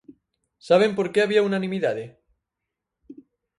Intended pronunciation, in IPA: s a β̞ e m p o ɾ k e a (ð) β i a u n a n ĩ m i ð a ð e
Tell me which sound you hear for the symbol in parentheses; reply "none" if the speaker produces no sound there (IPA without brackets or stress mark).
none